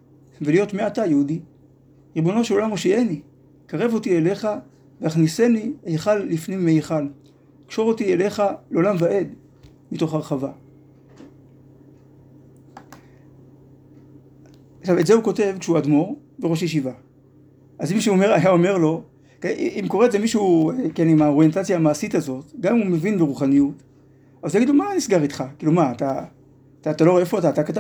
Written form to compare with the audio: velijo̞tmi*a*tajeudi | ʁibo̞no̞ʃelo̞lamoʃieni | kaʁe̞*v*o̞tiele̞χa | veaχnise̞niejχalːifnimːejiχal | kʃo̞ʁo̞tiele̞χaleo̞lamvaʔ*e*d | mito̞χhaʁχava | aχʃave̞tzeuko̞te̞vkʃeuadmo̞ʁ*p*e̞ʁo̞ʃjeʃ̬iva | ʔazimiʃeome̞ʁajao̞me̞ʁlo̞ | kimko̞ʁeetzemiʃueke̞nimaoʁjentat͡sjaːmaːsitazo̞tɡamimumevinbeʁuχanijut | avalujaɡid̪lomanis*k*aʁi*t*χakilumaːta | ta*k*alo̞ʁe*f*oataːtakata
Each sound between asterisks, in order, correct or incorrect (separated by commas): correct, correct, correct, incorrect, incorrect, correct, incorrect, correct